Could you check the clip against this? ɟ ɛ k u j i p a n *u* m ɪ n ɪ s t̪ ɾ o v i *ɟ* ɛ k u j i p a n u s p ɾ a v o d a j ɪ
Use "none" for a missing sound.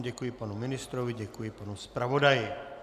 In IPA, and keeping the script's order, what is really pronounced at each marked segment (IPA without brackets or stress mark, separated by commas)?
u, ɟ